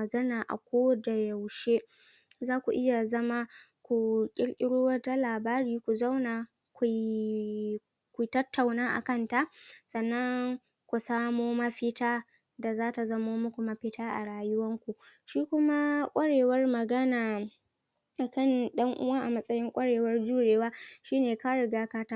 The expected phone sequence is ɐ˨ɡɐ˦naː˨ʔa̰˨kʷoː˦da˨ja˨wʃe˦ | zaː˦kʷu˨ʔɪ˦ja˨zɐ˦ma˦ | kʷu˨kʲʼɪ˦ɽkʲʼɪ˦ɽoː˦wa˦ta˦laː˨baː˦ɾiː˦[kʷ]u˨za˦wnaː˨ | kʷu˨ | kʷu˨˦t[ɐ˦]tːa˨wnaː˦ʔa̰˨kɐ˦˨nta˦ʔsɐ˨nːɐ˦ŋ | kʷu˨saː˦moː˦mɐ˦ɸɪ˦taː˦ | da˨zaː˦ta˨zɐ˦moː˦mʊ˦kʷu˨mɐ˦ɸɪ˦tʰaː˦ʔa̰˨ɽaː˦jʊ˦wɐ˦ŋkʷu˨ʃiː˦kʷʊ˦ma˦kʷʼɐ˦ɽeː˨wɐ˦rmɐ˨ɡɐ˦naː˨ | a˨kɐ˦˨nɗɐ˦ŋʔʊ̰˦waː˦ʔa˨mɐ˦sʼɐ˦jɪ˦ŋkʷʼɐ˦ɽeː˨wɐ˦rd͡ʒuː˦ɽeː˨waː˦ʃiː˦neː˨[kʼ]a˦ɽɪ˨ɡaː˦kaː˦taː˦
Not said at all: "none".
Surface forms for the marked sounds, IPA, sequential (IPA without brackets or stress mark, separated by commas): kʷ, ɐ˦, k